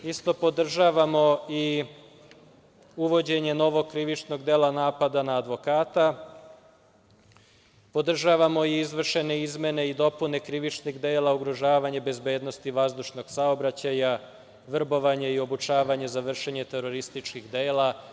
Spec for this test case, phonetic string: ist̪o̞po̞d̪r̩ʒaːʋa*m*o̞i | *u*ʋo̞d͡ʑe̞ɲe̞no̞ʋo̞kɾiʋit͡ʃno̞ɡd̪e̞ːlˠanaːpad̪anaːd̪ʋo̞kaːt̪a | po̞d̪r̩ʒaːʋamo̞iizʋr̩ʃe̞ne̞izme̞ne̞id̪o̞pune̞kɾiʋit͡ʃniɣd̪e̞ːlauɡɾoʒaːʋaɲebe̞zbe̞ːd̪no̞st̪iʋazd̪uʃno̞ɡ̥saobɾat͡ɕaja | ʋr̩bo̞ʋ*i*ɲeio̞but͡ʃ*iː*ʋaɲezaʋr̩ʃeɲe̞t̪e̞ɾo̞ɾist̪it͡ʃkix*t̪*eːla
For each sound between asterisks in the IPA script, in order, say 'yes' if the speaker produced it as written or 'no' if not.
yes, yes, no, no, no

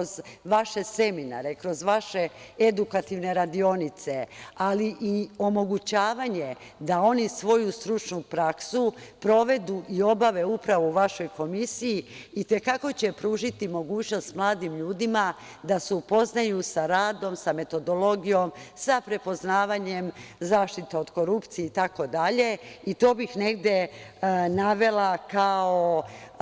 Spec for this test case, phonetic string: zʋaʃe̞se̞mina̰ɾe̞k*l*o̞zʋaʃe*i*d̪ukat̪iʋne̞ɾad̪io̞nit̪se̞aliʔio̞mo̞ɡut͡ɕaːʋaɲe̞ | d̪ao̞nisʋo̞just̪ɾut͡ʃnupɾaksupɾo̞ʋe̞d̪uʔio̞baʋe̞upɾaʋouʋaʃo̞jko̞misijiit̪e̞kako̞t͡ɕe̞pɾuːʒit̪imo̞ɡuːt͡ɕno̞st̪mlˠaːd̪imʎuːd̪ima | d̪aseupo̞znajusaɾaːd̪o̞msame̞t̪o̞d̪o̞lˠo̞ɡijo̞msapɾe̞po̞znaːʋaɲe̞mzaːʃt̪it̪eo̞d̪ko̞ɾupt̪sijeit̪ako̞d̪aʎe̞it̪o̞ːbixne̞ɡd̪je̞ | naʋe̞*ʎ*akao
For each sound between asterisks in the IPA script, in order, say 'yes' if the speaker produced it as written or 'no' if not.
no, no, no

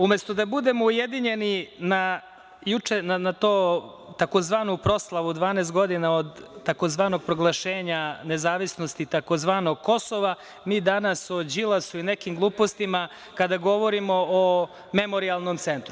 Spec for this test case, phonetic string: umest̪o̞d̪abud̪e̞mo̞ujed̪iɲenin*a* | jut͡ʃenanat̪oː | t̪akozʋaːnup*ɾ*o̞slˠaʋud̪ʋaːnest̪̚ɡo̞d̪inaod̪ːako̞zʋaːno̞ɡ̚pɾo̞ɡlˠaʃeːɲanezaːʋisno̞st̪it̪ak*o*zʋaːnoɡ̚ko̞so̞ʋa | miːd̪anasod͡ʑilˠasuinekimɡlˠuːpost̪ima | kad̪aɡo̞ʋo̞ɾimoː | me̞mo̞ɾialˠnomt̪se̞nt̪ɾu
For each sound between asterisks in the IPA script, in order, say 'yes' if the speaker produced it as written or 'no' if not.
yes, yes, yes

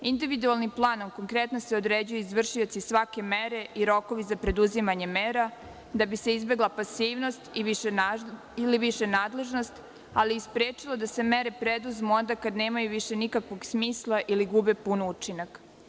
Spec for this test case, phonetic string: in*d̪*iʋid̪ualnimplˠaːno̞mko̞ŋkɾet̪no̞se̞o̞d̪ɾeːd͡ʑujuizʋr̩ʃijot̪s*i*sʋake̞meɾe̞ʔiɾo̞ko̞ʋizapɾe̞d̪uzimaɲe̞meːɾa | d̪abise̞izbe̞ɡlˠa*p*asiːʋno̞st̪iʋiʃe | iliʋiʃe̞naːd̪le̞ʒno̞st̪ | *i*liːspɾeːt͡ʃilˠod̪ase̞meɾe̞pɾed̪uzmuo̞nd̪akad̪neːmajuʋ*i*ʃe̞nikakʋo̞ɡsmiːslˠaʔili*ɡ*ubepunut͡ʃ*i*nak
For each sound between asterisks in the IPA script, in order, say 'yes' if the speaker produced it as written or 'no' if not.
yes, yes, yes, no, yes, yes, yes

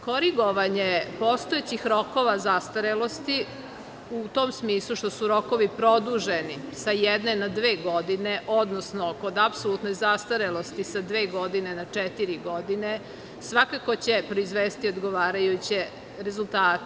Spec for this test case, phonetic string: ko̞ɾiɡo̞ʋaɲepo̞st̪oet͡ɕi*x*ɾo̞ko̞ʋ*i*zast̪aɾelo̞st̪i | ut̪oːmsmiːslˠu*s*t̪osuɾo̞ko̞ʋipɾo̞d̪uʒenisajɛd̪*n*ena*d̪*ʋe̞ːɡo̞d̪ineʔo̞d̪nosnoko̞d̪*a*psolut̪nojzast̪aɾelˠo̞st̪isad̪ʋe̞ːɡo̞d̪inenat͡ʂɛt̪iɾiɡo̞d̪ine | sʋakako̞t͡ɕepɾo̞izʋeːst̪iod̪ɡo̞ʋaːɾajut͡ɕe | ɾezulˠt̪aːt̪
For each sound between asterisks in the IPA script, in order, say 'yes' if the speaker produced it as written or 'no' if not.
yes, no, no, yes, yes, yes

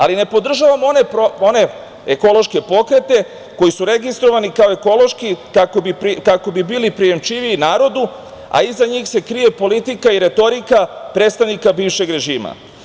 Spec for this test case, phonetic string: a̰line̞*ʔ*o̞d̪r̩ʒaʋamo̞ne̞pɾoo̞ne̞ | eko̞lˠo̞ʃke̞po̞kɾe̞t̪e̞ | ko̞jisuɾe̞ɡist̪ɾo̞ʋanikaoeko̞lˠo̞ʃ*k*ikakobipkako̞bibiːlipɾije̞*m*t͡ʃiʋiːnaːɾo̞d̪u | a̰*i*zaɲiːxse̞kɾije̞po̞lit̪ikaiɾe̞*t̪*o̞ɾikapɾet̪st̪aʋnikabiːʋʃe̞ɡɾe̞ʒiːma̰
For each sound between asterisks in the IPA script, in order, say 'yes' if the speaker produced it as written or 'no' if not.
no, yes, yes, yes, yes

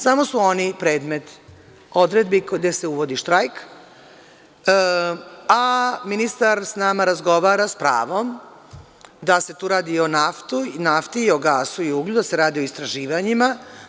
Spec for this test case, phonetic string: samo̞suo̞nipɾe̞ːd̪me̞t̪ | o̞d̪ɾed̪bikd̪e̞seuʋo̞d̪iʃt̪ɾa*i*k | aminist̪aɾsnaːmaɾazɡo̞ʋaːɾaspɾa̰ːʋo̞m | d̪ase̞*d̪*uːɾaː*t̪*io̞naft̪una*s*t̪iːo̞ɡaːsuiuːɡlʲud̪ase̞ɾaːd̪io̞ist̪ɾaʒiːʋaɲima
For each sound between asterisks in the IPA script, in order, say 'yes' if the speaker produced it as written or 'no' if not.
no, no, no, no

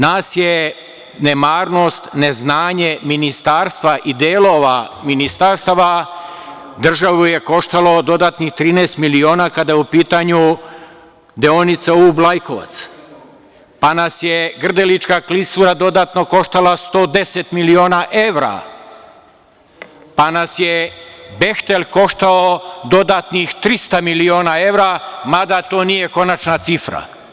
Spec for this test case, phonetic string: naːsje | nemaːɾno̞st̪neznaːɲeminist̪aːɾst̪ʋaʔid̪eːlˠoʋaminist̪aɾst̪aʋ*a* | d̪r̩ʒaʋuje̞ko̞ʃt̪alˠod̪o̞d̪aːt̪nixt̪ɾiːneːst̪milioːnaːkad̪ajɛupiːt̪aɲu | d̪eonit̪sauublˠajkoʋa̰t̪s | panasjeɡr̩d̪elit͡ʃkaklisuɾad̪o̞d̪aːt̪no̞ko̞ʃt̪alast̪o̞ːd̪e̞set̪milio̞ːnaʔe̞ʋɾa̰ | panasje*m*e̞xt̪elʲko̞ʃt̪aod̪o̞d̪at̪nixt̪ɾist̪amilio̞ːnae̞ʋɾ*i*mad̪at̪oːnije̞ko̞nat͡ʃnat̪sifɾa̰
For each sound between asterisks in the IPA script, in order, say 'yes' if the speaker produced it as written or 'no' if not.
yes, no, no

